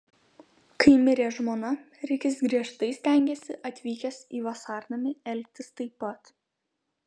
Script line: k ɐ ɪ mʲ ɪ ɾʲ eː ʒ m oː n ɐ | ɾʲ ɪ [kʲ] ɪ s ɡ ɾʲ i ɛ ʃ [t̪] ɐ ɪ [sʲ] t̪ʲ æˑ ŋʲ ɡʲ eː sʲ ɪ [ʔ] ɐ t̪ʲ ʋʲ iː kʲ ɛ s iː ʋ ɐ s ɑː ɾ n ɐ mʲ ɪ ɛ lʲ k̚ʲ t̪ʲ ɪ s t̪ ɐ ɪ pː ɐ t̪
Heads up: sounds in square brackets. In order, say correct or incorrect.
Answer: correct, correct, correct, correct

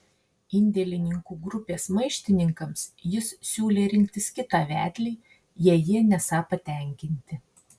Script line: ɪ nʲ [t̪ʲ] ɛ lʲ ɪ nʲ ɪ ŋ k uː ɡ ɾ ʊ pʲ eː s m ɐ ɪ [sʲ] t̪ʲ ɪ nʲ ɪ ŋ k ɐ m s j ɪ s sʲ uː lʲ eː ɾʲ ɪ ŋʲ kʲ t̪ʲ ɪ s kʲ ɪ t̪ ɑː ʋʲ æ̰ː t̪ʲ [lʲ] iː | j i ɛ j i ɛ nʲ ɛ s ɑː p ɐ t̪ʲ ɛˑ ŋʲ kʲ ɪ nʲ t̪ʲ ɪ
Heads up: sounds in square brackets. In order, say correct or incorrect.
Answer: incorrect: d̪ʲ, incorrect: ʃʲ, correct

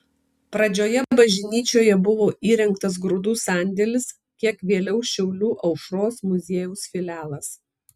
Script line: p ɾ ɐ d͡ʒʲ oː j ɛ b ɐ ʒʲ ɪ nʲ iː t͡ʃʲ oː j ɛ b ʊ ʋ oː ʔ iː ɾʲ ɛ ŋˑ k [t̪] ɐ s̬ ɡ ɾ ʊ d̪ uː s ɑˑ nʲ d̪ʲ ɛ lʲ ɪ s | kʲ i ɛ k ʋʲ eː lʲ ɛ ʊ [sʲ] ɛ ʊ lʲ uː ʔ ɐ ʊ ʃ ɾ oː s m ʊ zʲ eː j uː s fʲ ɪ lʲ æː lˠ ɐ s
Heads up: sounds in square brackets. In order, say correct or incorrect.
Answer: correct, incorrect: ʃʲ

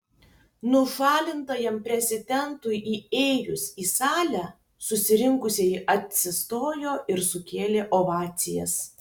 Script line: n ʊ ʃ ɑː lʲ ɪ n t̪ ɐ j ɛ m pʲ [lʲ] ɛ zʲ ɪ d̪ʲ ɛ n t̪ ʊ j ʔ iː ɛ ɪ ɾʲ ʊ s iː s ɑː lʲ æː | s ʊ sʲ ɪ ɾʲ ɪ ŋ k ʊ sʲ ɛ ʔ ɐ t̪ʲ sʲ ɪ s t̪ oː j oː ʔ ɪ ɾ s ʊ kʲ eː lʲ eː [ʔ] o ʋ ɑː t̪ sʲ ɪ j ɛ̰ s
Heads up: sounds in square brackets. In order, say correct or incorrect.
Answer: incorrect: ɾʲ, correct

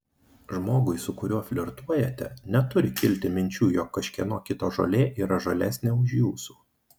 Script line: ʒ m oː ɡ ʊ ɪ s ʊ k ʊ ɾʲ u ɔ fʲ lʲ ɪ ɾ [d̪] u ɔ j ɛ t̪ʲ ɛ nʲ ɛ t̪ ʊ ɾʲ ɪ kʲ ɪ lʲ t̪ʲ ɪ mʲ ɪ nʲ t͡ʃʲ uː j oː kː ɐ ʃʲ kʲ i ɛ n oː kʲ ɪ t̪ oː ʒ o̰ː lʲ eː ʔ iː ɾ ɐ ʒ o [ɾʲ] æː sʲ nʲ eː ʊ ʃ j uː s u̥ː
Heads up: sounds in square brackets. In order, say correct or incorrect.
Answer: incorrect: t̪, incorrect: lʲ

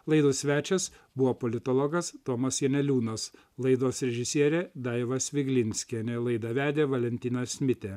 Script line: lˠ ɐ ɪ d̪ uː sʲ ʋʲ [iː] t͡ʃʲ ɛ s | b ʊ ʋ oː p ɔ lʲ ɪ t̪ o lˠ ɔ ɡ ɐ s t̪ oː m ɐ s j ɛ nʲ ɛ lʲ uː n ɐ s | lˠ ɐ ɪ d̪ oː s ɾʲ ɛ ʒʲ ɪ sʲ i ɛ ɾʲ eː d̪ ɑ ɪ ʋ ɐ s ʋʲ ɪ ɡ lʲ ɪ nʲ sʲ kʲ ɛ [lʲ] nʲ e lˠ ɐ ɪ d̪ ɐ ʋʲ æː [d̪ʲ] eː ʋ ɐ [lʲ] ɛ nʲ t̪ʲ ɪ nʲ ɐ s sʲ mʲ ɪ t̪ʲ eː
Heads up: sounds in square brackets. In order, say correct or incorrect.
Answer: incorrect: æː, incorrect: none, correct, correct

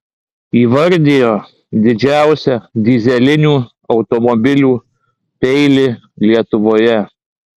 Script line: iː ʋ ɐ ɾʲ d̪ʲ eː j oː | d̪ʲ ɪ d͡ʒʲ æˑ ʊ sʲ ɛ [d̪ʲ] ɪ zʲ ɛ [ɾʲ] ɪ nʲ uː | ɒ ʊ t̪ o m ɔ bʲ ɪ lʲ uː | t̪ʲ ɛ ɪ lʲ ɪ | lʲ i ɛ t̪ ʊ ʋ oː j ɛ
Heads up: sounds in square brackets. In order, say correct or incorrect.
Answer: correct, incorrect: lʲ

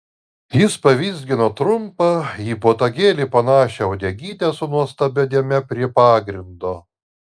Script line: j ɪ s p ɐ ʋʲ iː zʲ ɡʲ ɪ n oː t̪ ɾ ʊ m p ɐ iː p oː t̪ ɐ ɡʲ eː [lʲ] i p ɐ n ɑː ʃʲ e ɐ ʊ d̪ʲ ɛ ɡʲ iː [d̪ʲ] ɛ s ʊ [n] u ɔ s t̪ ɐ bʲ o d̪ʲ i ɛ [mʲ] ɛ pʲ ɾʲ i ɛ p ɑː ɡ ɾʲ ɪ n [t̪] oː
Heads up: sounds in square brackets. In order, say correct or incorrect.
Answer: correct, incorrect: t̪ʲ, correct, correct, incorrect: d̪

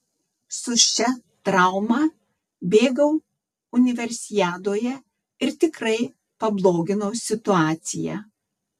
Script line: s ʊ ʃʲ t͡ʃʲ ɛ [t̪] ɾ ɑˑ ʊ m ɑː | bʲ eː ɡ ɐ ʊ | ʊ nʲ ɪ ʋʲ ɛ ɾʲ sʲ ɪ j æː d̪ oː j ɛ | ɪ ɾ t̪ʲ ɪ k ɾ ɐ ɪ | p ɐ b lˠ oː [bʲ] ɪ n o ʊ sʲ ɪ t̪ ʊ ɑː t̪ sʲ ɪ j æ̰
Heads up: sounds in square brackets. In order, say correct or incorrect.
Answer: correct, incorrect: ɡʲ

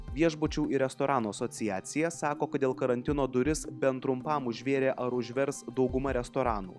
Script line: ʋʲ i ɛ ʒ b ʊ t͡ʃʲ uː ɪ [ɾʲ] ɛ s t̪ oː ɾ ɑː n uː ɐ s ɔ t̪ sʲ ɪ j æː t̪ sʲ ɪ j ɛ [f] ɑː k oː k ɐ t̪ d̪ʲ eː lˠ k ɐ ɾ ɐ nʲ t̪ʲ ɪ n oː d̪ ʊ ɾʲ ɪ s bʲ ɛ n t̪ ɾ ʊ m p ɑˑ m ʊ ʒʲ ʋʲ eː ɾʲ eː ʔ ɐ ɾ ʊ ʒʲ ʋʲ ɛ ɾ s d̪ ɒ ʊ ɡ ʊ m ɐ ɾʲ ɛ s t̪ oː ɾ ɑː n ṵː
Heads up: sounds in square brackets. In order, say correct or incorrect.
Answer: correct, incorrect: s

